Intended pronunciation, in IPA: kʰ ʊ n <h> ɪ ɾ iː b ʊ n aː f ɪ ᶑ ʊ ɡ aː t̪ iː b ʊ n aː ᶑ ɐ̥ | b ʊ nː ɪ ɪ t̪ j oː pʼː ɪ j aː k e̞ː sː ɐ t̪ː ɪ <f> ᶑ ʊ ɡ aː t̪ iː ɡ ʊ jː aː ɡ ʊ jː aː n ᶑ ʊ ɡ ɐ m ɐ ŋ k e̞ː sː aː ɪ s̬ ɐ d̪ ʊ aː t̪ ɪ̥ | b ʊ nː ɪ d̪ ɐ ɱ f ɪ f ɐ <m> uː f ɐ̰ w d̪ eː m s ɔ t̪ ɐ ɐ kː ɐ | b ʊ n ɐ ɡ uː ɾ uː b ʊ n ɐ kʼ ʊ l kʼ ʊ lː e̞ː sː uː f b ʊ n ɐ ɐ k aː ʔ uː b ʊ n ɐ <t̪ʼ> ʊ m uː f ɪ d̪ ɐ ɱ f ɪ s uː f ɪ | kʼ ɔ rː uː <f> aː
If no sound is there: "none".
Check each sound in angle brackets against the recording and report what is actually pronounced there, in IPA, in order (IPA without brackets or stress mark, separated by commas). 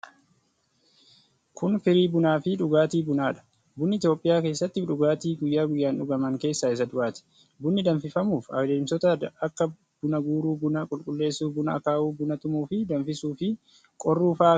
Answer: f, f, m, t̪, f